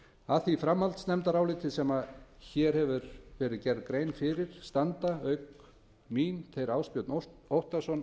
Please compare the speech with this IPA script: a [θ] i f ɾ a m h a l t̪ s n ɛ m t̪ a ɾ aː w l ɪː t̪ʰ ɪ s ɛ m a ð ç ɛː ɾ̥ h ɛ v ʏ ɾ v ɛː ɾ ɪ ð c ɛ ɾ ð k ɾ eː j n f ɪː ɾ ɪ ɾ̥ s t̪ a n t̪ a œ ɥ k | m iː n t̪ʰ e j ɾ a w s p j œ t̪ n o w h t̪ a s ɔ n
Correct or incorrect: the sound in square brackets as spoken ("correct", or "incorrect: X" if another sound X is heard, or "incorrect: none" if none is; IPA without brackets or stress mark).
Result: correct